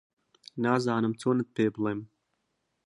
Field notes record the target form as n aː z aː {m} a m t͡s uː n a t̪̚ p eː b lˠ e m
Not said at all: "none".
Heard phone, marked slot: n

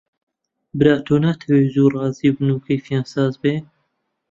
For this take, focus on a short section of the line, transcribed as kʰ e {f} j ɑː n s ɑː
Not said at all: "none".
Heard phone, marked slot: f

